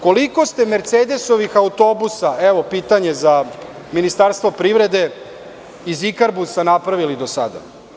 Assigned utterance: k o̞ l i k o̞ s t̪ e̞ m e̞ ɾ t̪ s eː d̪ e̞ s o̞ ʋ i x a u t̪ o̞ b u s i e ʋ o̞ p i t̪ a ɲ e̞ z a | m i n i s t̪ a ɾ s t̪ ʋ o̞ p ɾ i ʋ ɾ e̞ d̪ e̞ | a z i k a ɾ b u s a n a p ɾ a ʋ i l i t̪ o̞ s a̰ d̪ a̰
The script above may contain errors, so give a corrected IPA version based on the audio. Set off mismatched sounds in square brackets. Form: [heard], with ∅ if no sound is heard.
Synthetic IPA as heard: k o̞ l i k o̞ s t̪ e̞ m e̞ ɾ t̪ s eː d̪ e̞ s o̞ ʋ i x a u t̪ o̞ b u s [a] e ʋ o̞ p i t̪ a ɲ e̞ z a | m i n i s t̪ a ɾ s t̪ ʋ o̞ p ɾ i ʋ ɾ e̞ d̪ e̞ | [i] z i k a ɾ b u s a n a p ɾ a ʋ i l i [d̪] o̞ s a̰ d̪ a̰